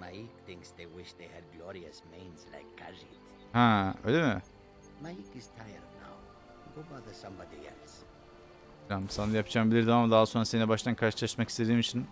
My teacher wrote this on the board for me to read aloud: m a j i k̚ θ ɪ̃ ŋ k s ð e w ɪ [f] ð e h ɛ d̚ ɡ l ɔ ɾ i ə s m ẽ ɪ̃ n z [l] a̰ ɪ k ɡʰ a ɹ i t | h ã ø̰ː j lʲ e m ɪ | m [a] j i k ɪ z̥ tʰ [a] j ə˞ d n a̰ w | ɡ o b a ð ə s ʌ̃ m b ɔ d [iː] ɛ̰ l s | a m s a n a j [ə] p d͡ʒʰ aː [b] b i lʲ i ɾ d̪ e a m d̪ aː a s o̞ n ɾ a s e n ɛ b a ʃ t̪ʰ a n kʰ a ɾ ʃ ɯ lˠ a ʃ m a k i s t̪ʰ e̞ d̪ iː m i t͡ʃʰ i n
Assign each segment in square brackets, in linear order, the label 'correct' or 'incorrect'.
incorrect: ʃ, correct, correct, correct, incorrect: i, incorrect: a, incorrect: m

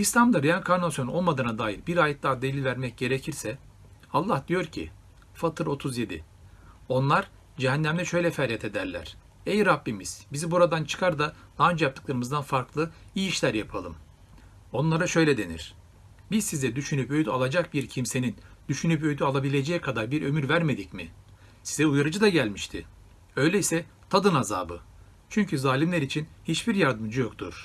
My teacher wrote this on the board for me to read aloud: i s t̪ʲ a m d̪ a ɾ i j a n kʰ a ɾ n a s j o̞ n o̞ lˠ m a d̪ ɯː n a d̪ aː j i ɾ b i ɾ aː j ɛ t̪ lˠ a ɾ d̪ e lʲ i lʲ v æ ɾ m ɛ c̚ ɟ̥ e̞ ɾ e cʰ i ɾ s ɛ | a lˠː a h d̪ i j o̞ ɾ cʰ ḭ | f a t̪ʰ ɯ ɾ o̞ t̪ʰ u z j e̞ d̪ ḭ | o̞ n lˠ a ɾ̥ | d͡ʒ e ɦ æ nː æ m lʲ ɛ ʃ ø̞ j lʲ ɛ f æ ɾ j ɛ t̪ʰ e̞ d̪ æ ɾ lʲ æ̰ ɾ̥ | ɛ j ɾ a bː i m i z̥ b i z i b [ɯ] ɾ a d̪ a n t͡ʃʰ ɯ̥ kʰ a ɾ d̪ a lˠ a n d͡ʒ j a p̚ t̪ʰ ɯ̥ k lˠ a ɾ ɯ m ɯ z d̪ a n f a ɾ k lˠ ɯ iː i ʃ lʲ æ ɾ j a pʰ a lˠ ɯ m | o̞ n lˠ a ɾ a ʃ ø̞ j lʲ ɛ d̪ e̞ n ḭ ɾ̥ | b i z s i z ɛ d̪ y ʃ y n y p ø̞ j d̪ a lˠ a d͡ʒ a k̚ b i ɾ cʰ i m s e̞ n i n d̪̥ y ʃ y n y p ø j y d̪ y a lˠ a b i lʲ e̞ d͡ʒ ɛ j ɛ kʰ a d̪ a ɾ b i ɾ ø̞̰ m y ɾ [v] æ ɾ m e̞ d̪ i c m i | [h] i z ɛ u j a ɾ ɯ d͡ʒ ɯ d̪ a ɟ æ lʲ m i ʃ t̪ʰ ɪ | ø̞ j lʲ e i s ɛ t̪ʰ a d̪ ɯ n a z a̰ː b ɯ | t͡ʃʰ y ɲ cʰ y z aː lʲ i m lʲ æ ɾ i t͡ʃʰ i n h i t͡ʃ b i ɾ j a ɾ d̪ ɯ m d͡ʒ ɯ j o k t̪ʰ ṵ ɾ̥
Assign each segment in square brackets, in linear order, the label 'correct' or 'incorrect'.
incorrect: u, correct, incorrect: s

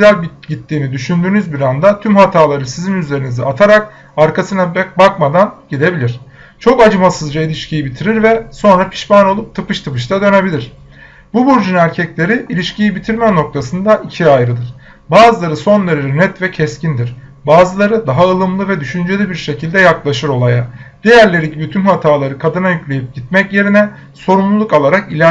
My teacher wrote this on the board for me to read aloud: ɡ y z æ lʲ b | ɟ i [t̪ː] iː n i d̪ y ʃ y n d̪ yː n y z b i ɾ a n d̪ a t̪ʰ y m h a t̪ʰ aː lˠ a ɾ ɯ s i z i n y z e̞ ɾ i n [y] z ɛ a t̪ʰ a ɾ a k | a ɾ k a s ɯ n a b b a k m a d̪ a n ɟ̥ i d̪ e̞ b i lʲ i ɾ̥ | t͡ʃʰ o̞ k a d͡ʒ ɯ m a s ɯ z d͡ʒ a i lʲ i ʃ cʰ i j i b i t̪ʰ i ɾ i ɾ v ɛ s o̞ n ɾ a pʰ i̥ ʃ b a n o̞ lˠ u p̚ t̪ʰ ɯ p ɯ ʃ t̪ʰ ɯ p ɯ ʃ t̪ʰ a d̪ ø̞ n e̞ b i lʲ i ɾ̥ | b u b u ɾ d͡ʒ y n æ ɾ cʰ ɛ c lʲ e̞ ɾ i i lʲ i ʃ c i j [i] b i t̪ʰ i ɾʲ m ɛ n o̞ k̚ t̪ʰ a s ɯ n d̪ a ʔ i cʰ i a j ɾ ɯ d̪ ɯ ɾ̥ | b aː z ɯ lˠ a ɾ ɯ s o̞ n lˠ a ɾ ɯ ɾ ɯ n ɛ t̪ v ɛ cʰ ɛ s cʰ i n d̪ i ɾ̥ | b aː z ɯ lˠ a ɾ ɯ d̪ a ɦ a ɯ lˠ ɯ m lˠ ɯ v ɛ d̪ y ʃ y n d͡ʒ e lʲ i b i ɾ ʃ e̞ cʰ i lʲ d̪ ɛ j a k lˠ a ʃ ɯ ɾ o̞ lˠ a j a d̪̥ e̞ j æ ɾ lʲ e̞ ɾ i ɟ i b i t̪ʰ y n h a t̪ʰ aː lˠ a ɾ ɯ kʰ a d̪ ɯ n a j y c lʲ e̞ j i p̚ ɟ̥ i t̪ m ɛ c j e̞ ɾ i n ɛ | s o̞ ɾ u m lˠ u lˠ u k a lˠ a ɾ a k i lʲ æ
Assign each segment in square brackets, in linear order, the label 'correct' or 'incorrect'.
correct, incorrect: i, correct

